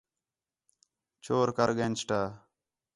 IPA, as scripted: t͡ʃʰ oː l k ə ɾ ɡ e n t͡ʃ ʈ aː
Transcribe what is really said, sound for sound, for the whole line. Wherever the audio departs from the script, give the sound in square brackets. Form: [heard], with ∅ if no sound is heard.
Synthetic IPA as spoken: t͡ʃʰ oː [ɾ] k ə ɾ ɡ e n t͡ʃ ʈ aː

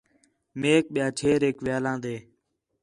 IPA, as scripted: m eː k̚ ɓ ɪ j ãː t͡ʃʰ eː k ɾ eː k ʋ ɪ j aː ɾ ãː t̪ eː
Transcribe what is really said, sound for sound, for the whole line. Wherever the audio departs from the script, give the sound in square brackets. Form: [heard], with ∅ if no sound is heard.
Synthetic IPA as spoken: m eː k̚ ɓ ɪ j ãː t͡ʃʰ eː [∅] ɾ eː k ʋ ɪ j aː [l] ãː [d̪] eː

